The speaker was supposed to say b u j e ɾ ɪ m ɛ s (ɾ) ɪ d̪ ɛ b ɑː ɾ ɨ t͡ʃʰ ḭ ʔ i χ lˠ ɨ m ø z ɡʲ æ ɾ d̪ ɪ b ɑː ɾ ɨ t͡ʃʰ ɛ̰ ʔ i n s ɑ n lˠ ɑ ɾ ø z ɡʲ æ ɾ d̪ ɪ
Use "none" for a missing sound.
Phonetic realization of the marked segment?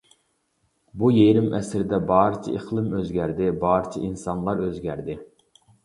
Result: ɾ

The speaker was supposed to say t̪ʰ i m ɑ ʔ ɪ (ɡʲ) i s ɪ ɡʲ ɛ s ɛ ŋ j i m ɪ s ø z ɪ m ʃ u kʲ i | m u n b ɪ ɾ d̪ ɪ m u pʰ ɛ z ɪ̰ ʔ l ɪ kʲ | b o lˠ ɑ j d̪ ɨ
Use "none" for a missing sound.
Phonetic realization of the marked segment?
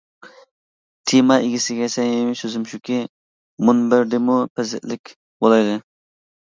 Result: ɡʲ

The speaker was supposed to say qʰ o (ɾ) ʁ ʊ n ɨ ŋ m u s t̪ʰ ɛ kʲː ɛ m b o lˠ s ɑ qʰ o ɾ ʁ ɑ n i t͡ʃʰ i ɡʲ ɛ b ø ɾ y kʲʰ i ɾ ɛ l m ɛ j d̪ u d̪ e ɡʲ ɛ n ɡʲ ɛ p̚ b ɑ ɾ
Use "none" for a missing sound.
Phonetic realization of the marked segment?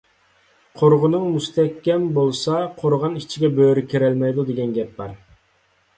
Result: ɾ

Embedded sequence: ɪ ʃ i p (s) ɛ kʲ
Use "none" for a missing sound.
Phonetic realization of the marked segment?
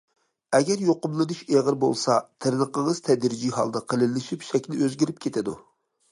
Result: ʃ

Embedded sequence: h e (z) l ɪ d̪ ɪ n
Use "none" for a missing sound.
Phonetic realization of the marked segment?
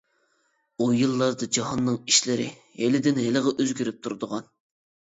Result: none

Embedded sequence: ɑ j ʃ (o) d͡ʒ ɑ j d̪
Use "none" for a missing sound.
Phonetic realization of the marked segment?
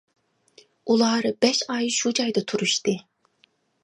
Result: u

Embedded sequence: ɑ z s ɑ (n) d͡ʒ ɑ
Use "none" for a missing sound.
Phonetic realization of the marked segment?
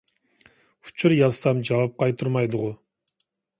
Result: m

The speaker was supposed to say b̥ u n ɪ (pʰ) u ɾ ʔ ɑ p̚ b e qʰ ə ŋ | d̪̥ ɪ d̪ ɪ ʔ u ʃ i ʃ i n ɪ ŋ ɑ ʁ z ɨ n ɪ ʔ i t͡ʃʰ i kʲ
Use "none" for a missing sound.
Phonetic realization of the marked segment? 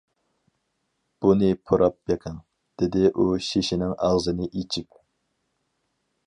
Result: pʰ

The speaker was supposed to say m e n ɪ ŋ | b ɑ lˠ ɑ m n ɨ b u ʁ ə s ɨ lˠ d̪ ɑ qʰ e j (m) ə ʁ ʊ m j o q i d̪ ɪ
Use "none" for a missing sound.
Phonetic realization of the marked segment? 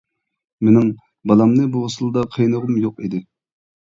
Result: n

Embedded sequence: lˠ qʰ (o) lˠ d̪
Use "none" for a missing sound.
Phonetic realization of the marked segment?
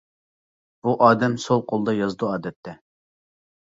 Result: o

